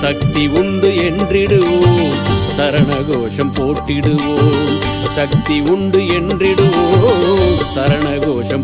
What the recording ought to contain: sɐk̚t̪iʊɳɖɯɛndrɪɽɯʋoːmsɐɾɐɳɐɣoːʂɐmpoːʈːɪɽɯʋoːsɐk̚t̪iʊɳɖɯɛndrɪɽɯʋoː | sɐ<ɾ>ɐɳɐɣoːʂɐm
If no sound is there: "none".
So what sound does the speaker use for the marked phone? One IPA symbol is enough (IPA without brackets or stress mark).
ɾ